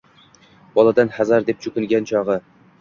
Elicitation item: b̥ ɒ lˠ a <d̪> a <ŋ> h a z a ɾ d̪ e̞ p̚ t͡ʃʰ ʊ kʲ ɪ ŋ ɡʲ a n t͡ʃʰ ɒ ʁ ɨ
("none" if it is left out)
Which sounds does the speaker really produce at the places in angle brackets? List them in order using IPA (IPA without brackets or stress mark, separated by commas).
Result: d̪, n